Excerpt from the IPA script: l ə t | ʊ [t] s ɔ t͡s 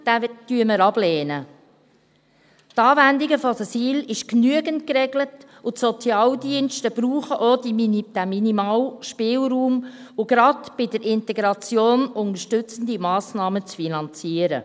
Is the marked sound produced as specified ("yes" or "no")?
yes